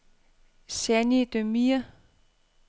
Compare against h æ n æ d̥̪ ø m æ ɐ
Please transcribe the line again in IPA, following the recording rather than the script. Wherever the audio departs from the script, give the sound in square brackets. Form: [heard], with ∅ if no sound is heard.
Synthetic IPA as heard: [s] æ n [i] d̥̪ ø m [i] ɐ

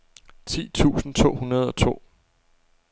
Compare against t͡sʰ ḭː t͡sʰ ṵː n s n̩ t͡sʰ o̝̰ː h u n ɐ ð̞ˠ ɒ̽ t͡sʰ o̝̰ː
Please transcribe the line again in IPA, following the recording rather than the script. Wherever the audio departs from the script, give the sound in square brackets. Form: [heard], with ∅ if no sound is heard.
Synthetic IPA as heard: t͡sʰ ḭː t͡sʰ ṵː [∅] s n̩ t͡sʰ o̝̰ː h u n ɐ ð̞ˠ ɒ̽ t͡sʰ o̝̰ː

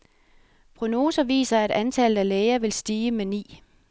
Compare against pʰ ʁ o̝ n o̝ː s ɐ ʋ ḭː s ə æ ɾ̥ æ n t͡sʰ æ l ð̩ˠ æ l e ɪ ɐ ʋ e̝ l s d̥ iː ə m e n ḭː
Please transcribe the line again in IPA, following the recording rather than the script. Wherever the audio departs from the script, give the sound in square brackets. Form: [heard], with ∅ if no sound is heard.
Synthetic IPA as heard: pʰ ʁ o̝ n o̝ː s ɐ ʋ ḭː s [ɐ] æ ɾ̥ æ n t͡sʰ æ l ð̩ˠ æ l e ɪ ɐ ʋ e̝ l s d̥ iː ə m e n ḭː

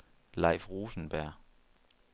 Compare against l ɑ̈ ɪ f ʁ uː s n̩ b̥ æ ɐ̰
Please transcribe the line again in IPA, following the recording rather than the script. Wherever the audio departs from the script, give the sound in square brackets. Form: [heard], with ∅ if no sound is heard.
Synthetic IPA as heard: l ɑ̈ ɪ f ʁ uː s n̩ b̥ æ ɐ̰

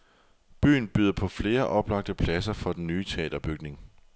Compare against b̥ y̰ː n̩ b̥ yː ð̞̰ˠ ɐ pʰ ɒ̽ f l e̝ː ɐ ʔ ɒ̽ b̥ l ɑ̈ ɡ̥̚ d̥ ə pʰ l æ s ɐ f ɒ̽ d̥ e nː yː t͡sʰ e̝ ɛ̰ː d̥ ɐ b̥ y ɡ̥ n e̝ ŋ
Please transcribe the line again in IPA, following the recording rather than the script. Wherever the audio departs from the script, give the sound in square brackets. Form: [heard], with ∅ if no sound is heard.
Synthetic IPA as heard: b̥ y̰ː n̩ b̥ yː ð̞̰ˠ ɐ pʰ ɒ̽ f l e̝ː ɐ ʔ ɒ̽ b̥ l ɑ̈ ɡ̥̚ d̥ ə pʰ l æ s ɐ f ɒ̽ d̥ e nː yː t͡sʰ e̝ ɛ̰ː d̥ ɐ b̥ y ɡ̥ n e̝ ŋ

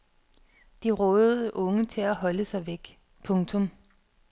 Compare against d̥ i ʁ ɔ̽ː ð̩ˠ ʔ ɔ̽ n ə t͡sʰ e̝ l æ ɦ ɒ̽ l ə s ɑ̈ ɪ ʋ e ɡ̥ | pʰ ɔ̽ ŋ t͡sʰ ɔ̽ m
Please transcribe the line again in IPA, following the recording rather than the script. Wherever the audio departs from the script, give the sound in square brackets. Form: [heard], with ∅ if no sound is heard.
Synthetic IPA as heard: d̥ i ʁ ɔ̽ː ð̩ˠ ʔ ɔ̽ [ŋ] ə t͡sʰ e̝ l æ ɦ ɒ̽ l ə s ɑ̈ ɪ ʋ e ɡ̥ | pʰ ɔ̽ ŋ t͡sʰ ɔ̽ m

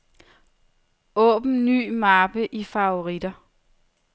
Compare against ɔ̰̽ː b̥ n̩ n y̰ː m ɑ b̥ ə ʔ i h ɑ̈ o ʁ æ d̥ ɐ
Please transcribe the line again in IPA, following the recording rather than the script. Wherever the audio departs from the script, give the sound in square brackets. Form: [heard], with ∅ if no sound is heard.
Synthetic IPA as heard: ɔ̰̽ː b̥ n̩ n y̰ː m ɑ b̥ ə ʔ i [f] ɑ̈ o ʁ [i] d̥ ɐ

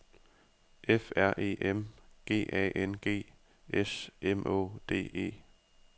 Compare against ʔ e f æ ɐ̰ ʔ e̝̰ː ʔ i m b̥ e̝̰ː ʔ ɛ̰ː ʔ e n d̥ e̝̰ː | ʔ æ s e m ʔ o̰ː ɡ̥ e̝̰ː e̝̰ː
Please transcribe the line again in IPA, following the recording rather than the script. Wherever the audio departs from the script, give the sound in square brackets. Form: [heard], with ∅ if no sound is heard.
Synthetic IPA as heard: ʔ e f æ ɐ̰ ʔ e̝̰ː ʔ [e] m [ɡ̥] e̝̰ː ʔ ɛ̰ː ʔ e n [ɡ̥] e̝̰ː | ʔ [e] s e m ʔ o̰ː [d̥] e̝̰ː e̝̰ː

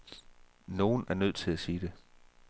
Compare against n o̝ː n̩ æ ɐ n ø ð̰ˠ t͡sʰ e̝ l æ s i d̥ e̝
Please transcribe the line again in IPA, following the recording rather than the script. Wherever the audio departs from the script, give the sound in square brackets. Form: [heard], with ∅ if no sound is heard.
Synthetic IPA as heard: n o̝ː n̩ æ ɐ n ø ð̰ˠ t͡sʰ e̝ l æ s [iː] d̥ e̝

